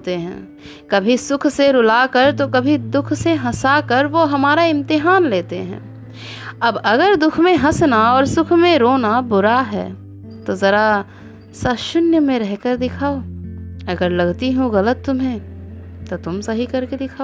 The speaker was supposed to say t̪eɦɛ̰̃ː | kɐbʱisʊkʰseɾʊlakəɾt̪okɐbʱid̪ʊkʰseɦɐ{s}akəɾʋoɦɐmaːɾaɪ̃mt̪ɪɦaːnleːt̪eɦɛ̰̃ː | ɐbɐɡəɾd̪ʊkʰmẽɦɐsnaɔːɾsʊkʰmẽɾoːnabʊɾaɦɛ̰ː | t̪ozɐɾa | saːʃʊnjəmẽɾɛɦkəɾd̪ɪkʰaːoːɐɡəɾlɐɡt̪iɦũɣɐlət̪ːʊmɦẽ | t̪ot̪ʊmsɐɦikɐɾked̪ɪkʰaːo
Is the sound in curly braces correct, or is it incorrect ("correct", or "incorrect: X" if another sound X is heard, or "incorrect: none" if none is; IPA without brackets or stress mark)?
correct